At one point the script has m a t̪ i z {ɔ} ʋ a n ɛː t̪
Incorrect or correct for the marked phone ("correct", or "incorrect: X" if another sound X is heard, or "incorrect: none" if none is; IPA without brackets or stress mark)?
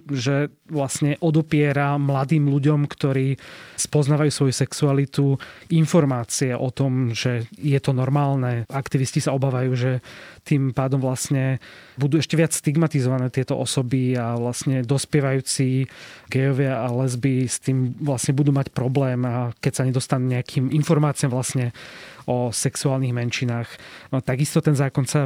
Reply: correct